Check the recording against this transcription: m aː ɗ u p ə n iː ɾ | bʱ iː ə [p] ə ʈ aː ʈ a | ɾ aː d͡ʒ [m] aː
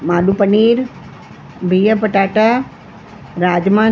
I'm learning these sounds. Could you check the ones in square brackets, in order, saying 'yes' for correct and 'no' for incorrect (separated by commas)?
yes, yes